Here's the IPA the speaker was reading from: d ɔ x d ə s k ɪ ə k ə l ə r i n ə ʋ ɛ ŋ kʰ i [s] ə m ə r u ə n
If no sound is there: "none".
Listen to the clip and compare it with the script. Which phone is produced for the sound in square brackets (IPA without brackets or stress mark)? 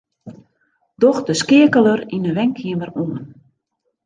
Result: none